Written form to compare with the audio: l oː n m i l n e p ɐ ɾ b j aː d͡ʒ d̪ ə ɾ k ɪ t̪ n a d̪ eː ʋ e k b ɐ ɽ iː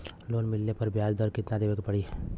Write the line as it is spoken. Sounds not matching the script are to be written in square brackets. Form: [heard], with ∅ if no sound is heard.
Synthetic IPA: l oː n m [ɪ] l n e p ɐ ɾ b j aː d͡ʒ d̪ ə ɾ k ɪ t̪ n a d̪ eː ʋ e k [p] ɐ ɽ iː